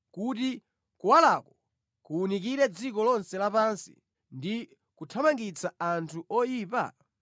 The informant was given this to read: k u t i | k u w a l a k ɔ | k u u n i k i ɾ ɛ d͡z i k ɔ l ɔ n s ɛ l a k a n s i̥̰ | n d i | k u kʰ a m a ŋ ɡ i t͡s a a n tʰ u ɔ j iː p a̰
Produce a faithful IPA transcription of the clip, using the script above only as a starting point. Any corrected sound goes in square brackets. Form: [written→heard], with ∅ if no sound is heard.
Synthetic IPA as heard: k u t i | k u w a l a k ɔ | k u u n i k i ɾ ɛ d͡z i k ɔ l ɔ n s ɛ l a [k→p] a n s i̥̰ | n d i | k u [kʰ→tʰ] a m a ŋ ɡ i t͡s a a n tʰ u ɔ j iː p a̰